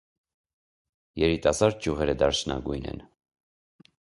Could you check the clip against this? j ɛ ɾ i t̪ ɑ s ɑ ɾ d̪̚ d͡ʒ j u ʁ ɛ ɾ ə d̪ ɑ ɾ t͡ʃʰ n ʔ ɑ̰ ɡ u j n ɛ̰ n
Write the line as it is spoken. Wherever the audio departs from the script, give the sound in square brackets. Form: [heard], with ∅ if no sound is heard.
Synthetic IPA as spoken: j ɛ ɾ i t̪ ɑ s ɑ ɾ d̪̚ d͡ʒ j u ʁ ɛ ɾ ə d̪ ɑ ɾ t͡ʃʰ n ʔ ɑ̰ ɡ u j n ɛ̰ n